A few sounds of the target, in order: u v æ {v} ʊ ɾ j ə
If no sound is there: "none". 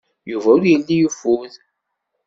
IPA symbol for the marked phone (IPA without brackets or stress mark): none